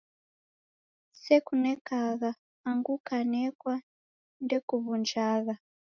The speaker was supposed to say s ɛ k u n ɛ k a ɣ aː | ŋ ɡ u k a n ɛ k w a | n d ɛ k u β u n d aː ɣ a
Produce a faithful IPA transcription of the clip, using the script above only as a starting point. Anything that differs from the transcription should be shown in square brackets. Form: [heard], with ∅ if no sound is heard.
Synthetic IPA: s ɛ k u n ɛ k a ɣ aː | ŋ ɡ u k a n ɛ k w a | n d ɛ k u β u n [d͡ʒ] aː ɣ a